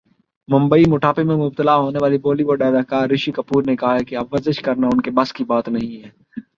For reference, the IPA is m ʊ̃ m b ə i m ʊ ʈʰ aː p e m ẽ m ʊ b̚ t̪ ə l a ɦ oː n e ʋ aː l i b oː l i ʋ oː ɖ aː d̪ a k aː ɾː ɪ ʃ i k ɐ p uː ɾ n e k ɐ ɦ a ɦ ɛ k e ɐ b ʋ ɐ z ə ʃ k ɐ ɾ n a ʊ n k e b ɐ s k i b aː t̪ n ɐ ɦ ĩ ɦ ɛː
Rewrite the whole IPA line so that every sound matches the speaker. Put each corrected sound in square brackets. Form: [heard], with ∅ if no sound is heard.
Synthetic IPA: m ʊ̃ m b ə i m ʊ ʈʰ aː p e m ẽ m ʊ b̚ t̪ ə l a ɦ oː n e ʋ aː l i b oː l i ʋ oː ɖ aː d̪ a k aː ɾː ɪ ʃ i k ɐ p uː ɾ n e k ɐ ɦ a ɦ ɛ k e ɐ b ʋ ɐ z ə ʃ k ɐ ɾ n a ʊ n k e b ɐ s k i b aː t̪ n ɐ ɦ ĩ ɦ ɛː